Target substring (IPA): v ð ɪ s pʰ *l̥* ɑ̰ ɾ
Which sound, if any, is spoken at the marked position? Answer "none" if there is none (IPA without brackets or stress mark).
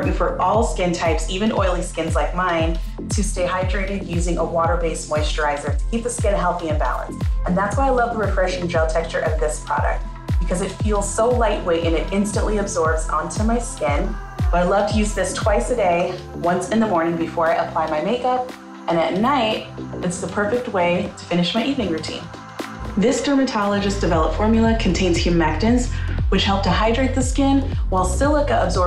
ɹ̥